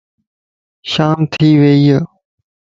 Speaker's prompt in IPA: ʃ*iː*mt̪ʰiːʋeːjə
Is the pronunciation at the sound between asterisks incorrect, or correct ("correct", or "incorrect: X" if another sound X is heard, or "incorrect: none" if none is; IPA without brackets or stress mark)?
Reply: incorrect: aː